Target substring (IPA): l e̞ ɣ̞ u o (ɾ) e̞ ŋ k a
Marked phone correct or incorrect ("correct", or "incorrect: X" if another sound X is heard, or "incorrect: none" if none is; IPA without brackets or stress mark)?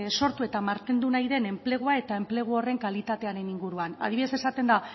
incorrect: r